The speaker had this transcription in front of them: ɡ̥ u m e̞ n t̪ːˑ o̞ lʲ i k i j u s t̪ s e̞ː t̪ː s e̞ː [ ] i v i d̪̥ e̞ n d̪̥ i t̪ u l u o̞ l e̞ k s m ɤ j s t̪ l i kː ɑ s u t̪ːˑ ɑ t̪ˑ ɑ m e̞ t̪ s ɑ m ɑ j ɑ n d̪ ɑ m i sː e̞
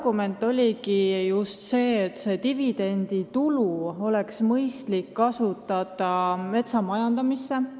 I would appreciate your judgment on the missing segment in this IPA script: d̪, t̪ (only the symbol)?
t̪